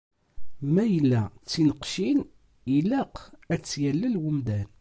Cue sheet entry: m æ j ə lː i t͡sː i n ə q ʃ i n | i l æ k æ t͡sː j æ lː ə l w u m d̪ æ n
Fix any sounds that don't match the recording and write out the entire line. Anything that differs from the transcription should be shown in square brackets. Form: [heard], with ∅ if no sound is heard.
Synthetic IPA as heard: m æ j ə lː [æ] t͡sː i n ə q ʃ i n | i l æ [q] æ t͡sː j æ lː ə l w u m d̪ æ n